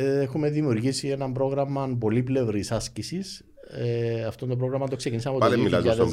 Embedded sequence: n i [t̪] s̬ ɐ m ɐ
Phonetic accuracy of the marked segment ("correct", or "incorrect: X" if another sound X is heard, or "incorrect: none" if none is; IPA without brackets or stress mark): incorrect: none